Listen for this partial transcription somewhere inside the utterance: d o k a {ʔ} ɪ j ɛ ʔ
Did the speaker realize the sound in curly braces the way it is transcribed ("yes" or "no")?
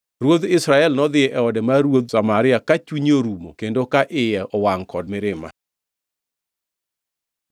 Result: yes